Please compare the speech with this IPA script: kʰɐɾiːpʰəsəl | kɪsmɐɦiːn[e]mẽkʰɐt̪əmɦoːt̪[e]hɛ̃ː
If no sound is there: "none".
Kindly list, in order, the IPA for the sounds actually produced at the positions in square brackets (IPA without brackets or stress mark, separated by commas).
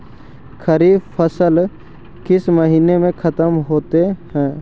e, e